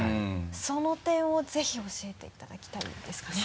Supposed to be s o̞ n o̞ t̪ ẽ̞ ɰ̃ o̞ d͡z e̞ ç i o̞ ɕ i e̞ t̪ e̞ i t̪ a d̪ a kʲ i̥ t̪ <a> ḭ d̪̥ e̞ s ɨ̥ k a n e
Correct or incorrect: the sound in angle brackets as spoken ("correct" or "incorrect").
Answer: correct